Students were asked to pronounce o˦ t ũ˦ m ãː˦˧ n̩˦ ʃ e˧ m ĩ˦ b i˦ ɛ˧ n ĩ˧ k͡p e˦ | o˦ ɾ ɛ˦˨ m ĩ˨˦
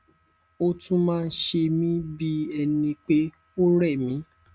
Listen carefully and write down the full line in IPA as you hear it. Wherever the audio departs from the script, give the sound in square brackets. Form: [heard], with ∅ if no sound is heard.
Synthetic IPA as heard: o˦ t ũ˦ m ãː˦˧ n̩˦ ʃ e˧ m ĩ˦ b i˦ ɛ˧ n ĩ˧ k͡p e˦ | o˦ ɾ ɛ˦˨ m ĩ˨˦